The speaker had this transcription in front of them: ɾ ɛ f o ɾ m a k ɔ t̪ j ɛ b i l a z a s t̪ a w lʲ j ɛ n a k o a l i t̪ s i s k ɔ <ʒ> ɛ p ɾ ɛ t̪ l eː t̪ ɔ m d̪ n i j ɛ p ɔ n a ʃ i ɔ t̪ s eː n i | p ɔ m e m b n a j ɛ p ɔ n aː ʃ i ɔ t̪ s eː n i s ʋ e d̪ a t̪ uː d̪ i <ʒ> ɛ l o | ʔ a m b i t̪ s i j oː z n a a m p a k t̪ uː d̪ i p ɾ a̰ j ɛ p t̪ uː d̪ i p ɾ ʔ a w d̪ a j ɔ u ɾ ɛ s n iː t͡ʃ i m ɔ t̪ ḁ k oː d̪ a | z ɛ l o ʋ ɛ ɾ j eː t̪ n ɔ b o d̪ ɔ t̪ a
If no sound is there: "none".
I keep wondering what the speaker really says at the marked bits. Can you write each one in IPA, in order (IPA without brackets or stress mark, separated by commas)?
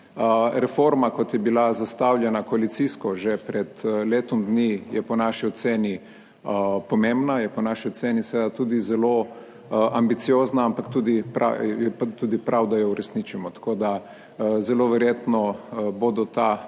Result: ʒ, z